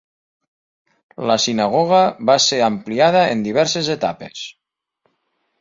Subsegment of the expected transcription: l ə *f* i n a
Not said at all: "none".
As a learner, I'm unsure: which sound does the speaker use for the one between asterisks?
s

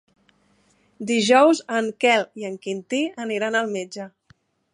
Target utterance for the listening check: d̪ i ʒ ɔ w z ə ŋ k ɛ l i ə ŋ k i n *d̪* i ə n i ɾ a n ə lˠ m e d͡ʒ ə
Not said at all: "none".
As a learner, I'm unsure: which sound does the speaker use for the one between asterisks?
t̪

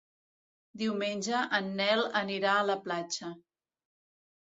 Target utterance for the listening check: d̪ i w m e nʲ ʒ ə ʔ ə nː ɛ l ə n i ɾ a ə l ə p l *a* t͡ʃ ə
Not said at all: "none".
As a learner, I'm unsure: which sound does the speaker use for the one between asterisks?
a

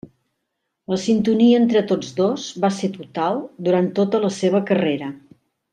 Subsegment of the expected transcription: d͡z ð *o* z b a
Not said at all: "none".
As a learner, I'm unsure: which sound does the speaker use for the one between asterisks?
o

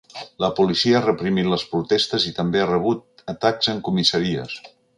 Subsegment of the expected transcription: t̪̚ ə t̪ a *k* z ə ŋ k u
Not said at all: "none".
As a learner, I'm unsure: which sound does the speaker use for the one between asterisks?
k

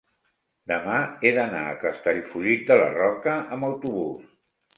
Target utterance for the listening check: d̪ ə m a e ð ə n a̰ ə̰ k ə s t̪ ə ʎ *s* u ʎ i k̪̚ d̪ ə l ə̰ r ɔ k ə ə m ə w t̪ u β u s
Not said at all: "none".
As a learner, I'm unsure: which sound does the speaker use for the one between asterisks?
f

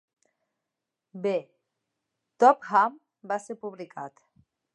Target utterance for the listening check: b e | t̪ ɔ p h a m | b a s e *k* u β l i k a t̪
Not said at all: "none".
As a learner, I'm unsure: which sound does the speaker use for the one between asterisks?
p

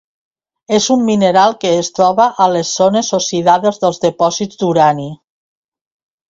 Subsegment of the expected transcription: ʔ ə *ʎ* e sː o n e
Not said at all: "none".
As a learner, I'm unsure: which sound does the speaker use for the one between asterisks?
l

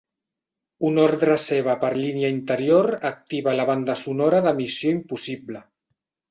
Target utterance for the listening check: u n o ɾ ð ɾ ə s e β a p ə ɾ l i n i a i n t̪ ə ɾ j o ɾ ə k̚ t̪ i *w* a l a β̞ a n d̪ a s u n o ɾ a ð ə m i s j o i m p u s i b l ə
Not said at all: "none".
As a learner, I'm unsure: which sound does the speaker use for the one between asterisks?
β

